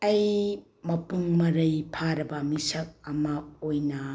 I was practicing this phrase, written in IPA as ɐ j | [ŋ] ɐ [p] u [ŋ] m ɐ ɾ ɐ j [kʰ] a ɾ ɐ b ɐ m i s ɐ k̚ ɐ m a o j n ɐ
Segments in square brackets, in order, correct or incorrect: incorrect: m, correct, correct, incorrect: pʰ

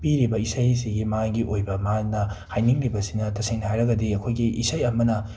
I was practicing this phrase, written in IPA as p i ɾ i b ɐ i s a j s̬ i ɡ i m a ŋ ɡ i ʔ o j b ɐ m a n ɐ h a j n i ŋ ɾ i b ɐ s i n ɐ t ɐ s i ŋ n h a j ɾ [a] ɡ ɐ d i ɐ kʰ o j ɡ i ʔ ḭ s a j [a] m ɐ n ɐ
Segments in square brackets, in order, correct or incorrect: incorrect: ɐ, incorrect: ɐ

